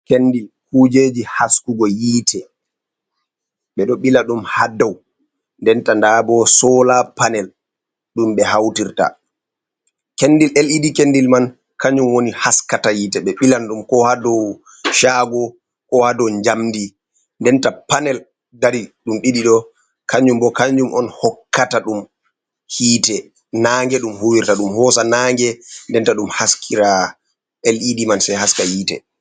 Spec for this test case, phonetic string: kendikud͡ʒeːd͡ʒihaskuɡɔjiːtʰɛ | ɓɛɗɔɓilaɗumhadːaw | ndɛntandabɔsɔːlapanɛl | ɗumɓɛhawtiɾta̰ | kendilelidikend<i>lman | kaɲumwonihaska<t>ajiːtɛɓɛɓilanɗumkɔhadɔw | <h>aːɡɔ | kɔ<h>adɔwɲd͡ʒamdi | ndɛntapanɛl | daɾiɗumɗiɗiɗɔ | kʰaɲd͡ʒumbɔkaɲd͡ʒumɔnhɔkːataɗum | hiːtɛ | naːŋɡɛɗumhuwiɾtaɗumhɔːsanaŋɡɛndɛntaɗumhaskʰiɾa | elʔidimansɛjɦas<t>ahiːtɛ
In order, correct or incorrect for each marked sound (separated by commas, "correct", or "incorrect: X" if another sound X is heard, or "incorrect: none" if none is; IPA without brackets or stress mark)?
correct, correct, incorrect: ʃ, correct, incorrect: k